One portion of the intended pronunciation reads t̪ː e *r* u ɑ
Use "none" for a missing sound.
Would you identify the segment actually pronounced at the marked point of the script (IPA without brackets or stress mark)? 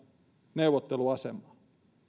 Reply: l